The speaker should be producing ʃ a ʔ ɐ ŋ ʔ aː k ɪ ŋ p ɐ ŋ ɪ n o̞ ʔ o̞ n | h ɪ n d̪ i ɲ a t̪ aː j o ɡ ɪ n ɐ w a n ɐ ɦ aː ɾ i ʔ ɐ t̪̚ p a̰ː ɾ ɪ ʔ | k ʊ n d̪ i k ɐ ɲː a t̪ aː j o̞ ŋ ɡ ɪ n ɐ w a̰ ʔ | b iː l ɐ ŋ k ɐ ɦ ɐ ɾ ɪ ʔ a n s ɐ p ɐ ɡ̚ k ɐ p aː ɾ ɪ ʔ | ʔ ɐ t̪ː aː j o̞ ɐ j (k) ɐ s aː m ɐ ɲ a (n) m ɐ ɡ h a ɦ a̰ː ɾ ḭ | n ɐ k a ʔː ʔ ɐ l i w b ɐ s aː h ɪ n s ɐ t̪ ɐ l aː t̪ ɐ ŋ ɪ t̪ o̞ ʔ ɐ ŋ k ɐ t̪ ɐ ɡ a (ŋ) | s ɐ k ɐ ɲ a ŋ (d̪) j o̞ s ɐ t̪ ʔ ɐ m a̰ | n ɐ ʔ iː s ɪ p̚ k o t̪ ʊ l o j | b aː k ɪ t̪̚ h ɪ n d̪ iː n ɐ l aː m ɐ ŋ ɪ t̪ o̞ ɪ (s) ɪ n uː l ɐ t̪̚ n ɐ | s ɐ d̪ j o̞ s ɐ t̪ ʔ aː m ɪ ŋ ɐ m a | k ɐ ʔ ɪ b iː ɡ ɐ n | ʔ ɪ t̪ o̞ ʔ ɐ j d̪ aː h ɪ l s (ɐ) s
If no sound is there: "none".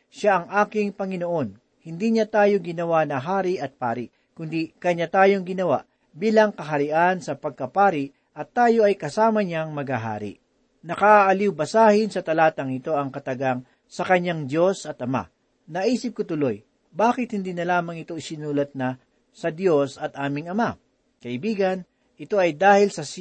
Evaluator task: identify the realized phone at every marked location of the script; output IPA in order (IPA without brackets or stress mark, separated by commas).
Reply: k, ŋ, ŋ, d̪, s, ɐ